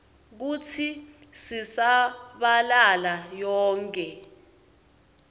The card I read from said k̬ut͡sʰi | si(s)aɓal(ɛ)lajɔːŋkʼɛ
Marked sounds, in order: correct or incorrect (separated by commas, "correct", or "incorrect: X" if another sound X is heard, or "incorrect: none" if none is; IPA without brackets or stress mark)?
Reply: correct, incorrect: a